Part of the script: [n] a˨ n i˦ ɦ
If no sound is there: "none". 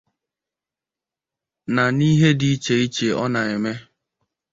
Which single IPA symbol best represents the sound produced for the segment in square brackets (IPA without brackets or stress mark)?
n